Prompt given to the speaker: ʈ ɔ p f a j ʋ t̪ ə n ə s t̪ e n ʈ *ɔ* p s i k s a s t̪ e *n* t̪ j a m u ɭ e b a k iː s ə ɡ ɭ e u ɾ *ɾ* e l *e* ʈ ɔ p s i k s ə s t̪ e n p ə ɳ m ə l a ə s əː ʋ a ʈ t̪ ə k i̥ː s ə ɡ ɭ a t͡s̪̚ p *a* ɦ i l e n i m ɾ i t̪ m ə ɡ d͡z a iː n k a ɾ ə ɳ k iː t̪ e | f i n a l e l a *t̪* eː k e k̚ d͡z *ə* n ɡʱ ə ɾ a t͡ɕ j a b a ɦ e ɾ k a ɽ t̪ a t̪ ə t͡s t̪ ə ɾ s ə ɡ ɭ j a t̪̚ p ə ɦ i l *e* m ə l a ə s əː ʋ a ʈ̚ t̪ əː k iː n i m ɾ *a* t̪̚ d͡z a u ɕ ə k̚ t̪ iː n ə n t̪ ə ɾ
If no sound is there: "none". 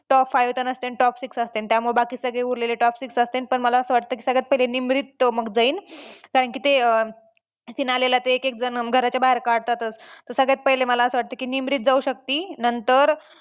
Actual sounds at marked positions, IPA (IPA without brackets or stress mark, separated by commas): ɔ, n, l, e, ə, t̪, ə, e, i